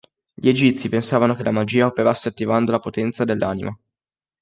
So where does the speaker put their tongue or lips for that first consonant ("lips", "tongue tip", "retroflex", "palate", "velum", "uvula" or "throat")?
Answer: palate